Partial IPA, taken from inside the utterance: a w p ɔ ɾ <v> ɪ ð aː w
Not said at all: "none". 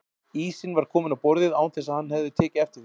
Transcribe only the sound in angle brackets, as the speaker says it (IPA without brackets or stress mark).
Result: ð